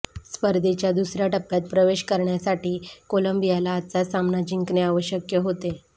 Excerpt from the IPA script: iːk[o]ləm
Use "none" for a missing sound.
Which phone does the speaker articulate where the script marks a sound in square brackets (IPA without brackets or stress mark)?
o